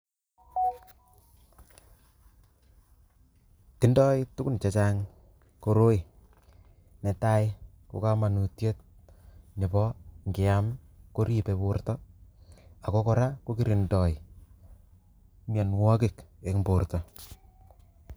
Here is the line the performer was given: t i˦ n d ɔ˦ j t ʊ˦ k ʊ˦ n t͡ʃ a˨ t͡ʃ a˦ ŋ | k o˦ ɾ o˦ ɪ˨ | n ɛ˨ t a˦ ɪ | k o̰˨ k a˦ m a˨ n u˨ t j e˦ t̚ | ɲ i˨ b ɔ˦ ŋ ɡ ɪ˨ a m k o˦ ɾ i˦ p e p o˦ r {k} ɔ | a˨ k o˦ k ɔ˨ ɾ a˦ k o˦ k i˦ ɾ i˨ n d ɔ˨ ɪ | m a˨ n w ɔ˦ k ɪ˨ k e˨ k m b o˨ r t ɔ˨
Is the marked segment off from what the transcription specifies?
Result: yes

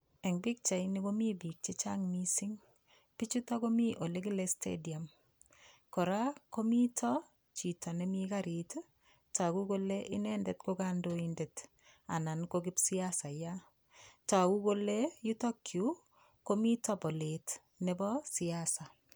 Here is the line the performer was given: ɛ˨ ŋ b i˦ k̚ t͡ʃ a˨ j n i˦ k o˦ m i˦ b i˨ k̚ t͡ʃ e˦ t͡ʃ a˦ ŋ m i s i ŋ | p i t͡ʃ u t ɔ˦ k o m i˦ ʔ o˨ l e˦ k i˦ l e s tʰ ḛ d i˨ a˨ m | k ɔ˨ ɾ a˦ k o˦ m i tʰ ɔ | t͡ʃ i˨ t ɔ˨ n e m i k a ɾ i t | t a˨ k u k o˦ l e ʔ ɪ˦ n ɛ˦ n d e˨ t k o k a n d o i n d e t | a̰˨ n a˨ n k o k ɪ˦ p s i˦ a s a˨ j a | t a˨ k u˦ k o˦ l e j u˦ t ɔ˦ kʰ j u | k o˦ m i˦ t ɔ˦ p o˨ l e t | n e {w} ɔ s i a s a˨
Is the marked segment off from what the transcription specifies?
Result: yes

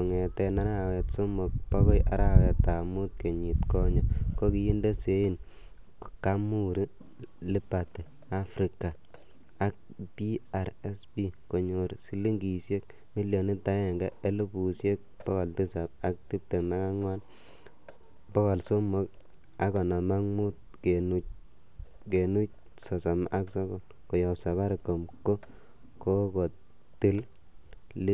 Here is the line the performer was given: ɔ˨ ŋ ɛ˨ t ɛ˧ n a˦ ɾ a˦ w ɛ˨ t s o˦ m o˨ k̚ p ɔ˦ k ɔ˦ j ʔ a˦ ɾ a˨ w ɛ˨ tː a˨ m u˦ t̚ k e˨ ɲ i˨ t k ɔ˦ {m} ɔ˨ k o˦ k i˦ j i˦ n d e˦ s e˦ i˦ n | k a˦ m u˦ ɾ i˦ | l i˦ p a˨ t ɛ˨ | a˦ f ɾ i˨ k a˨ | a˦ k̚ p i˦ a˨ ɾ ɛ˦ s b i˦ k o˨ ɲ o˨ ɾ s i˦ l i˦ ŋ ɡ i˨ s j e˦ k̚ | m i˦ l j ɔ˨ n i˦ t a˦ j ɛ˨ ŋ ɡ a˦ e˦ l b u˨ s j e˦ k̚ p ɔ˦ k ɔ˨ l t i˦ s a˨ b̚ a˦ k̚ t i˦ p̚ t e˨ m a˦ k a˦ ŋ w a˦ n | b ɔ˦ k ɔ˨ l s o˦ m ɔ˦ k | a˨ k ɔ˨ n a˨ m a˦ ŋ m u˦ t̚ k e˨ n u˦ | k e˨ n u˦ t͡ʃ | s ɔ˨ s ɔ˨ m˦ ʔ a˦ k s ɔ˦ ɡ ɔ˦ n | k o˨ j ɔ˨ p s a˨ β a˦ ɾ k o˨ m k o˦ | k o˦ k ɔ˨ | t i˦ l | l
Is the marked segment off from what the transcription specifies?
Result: yes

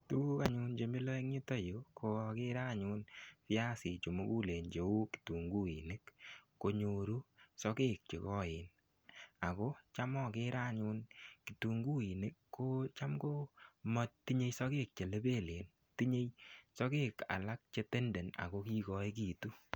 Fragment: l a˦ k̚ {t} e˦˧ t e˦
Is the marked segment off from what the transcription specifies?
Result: yes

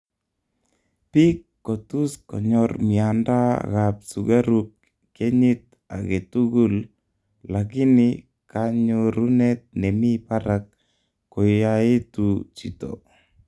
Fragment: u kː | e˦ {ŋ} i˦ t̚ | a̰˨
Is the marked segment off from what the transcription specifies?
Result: yes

